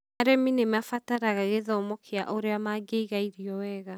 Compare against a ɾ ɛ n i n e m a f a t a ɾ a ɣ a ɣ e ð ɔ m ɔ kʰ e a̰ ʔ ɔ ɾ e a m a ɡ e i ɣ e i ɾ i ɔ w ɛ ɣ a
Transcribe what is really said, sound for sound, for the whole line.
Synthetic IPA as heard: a ɾ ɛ m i n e m a f a t a ɾ a ɣ a ɣ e ð ɔ m ɔ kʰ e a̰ ʔ o ɾ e a m a ɡ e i ɣ a i ɾ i ɔ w ɛ ɣ a